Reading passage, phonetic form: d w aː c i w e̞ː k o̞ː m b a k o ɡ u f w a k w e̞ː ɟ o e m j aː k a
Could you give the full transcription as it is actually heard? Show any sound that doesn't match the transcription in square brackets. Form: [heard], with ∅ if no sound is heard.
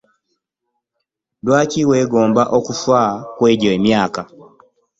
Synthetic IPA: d w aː c i w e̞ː [ɡ] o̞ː m b a [ʔ] o [k] u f w a k w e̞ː ɟ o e m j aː k a